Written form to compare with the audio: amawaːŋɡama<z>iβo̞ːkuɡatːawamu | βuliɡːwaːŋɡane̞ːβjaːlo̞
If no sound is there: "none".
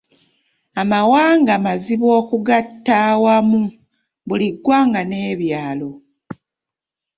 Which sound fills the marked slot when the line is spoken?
z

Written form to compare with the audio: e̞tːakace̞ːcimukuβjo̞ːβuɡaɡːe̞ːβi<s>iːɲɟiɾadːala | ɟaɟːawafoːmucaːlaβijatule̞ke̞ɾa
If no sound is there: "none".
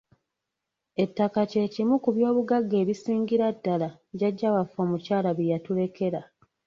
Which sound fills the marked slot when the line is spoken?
s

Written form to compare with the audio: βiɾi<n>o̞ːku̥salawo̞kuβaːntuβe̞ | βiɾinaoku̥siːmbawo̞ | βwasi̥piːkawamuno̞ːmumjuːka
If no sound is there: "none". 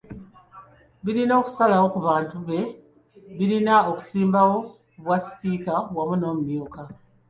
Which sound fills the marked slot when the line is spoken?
n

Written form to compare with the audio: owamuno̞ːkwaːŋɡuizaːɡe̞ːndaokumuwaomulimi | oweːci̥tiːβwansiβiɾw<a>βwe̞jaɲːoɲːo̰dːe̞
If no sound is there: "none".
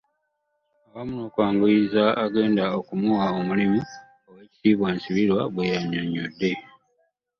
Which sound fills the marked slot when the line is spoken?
a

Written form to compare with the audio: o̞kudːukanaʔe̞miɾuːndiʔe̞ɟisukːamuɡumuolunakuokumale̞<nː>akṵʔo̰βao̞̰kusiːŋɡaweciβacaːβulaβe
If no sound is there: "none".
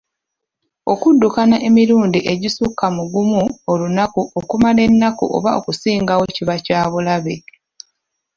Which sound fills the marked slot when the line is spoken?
nː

